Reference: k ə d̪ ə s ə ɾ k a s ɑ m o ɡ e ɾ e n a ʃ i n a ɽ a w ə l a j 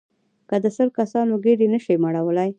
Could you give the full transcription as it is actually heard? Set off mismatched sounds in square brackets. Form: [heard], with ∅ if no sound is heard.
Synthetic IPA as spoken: k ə d̪ ə s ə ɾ k a s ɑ [n] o ɡ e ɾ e n [ə] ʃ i [m] a ɽ a w ə l a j